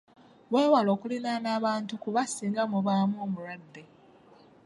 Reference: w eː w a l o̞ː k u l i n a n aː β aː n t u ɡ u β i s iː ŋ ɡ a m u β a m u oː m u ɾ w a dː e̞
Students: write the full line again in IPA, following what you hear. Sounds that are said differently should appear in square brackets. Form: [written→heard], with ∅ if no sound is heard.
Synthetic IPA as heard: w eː w a l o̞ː k u l i n a n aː β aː n t u [ɡ→k] u β [i→a] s iː ŋ ɡ a m u β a m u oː m u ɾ w a dː e̞